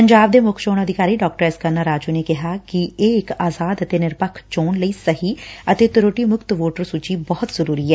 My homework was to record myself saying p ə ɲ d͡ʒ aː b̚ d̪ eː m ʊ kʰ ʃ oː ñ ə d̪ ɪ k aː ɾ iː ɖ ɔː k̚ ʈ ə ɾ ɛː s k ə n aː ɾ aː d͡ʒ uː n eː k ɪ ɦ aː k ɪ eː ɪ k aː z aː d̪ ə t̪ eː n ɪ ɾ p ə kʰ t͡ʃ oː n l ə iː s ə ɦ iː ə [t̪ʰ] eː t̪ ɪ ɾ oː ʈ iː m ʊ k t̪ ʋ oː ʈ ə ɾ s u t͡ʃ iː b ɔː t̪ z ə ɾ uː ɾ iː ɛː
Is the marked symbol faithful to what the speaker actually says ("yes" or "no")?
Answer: no